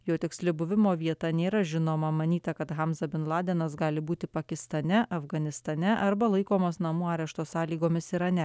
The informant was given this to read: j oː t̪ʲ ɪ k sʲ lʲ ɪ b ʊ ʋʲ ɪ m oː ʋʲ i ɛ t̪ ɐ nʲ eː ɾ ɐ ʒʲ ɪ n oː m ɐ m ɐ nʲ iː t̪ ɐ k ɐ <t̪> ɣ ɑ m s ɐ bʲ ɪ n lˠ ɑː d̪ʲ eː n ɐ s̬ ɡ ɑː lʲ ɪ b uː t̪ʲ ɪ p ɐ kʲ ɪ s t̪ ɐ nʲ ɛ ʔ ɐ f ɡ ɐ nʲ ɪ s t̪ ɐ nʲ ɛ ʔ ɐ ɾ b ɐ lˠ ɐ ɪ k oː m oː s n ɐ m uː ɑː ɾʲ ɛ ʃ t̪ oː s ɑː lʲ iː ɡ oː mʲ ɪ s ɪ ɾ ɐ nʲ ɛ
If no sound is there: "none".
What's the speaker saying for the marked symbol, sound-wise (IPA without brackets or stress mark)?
t̪